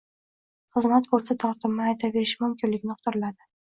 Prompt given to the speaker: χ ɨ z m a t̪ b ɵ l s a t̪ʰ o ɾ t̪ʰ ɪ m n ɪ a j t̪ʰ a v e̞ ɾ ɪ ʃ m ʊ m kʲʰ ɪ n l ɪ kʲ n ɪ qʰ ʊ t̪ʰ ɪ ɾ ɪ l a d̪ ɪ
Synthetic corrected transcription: χ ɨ z m a t̪ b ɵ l s a t̪ʰ ɒ ɾ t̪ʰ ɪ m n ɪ a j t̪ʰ a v e̞ ɾ ɪ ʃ m ʊ m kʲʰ ɪ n l ɪ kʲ n ɪ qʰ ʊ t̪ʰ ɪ ɾ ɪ l a d̪ ɪ